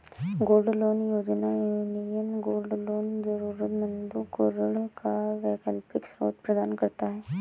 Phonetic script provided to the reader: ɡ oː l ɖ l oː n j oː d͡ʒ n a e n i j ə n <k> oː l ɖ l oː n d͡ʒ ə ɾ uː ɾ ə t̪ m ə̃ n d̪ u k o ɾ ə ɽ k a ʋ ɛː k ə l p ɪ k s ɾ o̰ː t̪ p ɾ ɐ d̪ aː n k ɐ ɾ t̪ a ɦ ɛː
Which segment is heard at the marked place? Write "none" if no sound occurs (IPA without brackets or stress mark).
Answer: ɡ